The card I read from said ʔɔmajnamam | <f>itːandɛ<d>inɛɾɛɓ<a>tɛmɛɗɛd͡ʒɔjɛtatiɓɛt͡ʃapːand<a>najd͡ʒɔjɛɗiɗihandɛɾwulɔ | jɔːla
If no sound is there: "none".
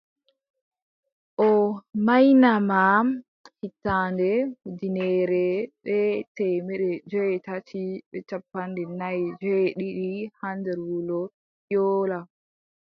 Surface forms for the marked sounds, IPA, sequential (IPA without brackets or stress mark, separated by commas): h, d, ɛ, ɛ